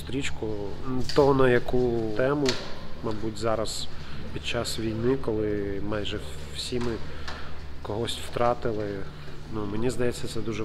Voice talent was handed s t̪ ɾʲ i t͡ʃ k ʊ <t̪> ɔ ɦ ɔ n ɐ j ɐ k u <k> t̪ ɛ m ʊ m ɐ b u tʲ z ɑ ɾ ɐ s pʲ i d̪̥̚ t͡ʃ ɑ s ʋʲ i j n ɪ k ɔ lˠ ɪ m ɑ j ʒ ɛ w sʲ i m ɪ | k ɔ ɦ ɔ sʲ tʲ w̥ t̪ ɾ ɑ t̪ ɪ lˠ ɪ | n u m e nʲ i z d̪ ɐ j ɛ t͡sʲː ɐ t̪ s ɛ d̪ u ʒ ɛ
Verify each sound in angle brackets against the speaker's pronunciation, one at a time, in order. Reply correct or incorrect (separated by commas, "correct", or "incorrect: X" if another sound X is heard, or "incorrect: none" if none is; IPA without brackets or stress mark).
correct, incorrect: none